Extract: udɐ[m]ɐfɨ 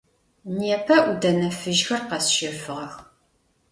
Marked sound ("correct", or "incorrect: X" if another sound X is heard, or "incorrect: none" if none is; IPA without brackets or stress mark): incorrect: n